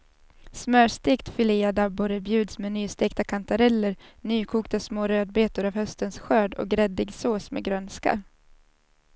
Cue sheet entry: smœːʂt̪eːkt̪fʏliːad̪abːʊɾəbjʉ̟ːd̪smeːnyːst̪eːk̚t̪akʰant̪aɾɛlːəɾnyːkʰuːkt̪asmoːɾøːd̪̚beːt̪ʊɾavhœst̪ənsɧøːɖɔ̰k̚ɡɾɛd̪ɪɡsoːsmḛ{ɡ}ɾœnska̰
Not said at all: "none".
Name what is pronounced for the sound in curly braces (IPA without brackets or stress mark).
ɡ